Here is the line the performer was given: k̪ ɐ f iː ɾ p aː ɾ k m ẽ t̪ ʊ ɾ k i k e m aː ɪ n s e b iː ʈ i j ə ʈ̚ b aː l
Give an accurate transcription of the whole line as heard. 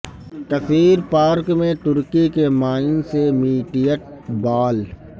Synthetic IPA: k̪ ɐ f iː ɾ p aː ɾ k m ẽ t̪ ʊ ɾ k i k e m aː ɪ n s e m iː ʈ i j ə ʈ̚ b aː l